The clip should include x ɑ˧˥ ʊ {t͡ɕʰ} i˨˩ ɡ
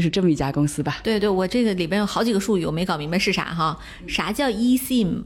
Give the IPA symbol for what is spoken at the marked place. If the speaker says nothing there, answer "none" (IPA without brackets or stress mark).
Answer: t͡ɕ